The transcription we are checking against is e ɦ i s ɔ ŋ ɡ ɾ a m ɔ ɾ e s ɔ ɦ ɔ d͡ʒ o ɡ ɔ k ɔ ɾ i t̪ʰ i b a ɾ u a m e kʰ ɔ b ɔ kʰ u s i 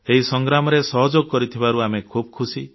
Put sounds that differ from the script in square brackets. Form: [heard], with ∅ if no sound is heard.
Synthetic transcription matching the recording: e ɦ i s ɔ ŋ ɡ ɾ a m ɔ ɾ e s ɔ ɦ ɔ d͡ʒ o ɡ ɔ k ɔ ɾ i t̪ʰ i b a ɾ u a m e kʰ [u] b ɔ kʰ u s i